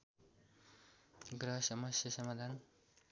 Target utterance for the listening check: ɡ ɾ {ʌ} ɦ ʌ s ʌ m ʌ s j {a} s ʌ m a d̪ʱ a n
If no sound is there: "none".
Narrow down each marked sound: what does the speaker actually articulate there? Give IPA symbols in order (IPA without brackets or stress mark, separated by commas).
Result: ʌ, ʌ